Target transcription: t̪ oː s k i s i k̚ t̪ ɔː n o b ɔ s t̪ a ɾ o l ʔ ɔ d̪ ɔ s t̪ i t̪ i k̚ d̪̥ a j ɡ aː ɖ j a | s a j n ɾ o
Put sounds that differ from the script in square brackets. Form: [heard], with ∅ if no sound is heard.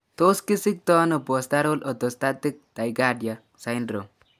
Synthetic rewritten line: t̪ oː s k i s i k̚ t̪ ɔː n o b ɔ s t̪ a ɾ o l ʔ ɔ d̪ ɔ s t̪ [a] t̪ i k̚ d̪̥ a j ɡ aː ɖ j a | s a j n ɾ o